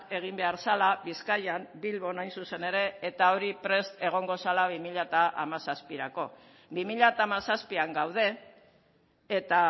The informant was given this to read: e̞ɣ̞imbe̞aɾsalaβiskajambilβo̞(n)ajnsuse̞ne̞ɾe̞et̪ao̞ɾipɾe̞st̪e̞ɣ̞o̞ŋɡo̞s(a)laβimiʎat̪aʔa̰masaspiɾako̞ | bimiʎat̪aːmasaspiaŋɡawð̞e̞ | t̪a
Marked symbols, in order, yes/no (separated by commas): yes, yes